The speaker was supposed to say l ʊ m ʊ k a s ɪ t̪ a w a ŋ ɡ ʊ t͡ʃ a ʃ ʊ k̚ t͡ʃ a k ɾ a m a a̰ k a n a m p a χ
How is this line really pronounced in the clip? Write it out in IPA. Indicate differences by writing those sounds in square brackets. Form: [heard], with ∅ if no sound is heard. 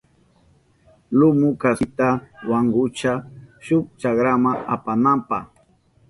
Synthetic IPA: l ʊ m ʊ k a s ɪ t̪ a w a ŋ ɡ ʊ t͡ʃ a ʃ ʊ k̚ t͡ʃ a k ɾ a m a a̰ [p] a n a m p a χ